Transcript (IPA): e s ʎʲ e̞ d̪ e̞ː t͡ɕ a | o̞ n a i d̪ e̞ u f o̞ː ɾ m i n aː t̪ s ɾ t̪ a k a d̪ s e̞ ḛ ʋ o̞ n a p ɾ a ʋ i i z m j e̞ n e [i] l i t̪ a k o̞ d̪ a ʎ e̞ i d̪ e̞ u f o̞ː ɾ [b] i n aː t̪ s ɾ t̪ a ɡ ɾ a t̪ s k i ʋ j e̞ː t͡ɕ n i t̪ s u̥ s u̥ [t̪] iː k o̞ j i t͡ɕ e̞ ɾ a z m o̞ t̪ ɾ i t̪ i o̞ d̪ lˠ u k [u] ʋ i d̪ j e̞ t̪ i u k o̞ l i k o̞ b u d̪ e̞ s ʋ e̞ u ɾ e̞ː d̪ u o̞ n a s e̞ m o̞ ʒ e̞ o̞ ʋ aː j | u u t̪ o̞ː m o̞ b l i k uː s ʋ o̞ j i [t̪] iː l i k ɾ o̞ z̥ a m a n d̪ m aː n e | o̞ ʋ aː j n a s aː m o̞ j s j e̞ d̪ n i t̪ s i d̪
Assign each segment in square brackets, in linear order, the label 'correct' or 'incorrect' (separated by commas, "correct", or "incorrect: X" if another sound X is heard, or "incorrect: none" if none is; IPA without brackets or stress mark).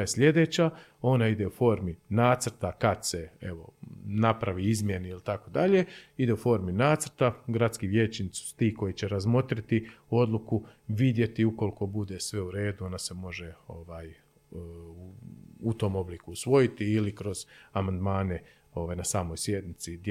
correct, incorrect: m, correct, correct, correct